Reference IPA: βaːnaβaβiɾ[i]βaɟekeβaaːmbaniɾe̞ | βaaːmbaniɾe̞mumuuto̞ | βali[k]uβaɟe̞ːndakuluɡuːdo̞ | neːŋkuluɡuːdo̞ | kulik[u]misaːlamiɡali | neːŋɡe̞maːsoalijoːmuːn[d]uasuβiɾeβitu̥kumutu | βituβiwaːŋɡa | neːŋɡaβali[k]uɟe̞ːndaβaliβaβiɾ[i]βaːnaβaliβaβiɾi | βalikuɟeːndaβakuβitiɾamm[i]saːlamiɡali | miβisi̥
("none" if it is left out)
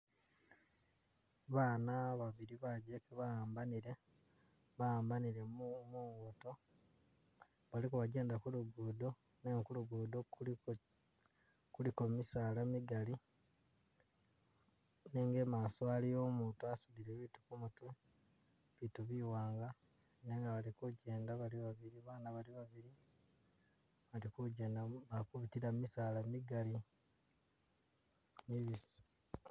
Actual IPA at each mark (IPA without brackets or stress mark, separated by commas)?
i, k, o, t, k, i, i